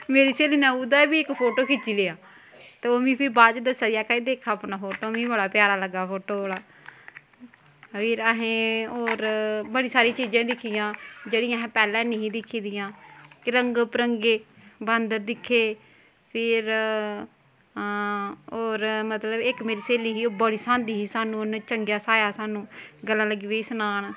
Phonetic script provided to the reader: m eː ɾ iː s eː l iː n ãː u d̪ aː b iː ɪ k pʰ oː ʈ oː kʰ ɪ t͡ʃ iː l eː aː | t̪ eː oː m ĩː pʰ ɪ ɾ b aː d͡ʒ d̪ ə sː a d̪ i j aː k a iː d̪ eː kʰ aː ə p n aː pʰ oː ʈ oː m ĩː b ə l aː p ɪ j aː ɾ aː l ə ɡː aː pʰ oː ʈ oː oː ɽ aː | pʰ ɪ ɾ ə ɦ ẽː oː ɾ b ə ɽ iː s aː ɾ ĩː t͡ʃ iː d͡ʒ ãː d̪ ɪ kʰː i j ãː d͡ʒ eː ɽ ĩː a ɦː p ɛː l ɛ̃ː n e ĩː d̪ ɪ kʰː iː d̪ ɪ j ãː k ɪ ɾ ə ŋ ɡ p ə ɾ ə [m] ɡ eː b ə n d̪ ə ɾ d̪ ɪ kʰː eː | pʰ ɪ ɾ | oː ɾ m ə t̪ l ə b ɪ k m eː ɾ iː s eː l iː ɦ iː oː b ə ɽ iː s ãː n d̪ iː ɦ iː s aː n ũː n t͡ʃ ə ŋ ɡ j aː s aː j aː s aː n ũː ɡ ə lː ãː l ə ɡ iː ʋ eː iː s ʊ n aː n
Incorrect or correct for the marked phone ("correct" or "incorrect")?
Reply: incorrect